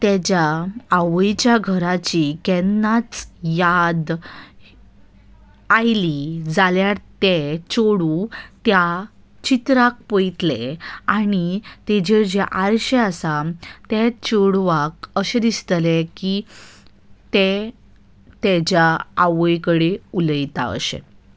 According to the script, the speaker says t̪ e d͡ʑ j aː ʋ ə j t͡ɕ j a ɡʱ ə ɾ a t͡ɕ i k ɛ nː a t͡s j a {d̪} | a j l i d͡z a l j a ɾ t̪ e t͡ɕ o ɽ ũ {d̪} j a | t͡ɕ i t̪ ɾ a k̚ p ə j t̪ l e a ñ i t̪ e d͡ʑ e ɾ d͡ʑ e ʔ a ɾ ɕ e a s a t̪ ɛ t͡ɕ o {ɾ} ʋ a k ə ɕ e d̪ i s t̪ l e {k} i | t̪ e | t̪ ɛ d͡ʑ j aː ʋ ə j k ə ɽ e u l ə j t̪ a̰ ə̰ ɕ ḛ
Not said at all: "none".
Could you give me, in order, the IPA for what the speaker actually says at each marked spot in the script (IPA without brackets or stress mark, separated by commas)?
d̪, t̪, ɽ, k